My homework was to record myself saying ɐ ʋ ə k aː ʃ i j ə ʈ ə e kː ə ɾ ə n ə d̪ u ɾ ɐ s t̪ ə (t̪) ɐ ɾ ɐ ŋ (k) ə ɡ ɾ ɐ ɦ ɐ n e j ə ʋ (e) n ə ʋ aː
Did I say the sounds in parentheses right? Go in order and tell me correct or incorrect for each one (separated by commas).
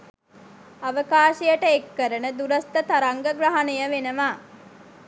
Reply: correct, incorrect, correct